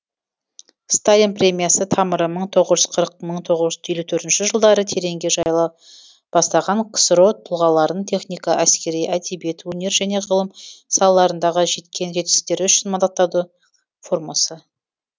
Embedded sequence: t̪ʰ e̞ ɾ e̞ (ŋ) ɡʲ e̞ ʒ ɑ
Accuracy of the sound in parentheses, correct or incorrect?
correct